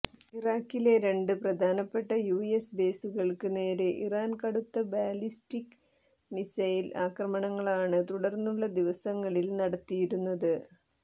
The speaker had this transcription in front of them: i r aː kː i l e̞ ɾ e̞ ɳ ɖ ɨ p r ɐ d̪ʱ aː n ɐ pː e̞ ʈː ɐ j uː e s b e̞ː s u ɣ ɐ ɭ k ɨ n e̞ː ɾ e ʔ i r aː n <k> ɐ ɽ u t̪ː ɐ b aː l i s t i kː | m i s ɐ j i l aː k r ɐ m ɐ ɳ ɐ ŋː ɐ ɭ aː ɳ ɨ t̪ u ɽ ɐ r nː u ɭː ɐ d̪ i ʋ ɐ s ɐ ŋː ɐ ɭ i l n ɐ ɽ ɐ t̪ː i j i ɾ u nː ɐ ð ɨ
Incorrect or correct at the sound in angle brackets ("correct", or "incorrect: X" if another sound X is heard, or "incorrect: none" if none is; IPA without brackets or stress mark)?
correct